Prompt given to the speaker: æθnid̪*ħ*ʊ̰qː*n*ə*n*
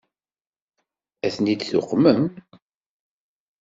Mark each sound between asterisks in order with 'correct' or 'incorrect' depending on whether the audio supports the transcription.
incorrect: θ, incorrect: m, incorrect: m

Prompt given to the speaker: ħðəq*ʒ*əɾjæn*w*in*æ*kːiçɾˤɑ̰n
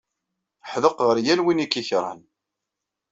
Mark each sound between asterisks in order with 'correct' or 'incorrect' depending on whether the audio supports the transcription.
incorrect: ʁ, correct, incorrect: i

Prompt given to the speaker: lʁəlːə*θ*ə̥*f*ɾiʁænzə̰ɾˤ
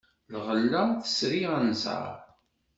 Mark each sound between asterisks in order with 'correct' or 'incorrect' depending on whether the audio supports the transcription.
correct, incorrect: s

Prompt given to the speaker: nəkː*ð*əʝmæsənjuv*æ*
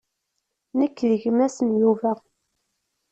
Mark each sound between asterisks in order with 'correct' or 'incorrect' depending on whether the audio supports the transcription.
correct, correct

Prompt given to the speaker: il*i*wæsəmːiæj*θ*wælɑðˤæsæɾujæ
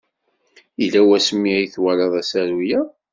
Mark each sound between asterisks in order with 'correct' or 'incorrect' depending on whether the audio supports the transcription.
incorrect: æ, correct

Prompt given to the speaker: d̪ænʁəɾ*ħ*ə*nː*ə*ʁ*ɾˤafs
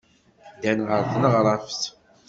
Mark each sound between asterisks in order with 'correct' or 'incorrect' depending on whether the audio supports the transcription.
incorrect: θ, incorrect: n, correct

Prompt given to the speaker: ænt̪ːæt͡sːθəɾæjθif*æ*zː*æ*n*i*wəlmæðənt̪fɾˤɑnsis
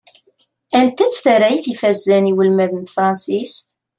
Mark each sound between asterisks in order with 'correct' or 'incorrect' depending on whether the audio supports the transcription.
correct, correct, correct

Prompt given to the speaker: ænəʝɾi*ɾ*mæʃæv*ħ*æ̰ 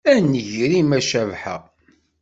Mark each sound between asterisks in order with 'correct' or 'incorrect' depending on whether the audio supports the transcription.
incorrect: none, correct

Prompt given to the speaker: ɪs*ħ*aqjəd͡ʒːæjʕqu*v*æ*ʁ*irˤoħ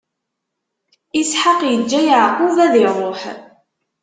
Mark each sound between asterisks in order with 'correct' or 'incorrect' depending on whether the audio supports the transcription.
correct, correct, incorrect: ð

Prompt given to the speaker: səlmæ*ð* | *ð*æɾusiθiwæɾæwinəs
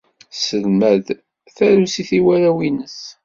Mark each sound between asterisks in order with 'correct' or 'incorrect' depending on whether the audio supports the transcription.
correct, incorrect: θ

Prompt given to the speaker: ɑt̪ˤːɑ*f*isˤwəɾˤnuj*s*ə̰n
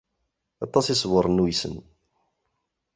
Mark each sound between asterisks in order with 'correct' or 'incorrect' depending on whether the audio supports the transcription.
incorrect: s, correct

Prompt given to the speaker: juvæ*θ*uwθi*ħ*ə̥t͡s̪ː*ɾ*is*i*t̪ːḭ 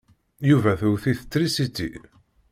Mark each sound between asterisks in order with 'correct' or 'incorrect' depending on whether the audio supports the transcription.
correct, incorrect: θ, correct, correct

